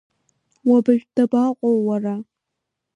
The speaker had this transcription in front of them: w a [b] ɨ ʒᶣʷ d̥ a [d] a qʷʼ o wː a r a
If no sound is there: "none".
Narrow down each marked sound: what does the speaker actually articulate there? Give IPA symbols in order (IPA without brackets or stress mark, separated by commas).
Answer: b, b